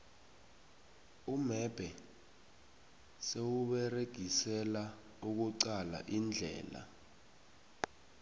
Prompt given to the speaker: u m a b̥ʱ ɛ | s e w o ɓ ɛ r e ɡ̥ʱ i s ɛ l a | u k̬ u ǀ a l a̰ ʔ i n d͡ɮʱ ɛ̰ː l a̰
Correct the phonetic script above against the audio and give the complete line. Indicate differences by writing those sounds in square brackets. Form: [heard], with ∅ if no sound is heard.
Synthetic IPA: u m [ɛ] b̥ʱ ɛ | s e w [u] ɓ ɛ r e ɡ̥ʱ i s ɛ l a | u k̬ u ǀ a l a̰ ʔ i n d͡ɮʱ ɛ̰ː l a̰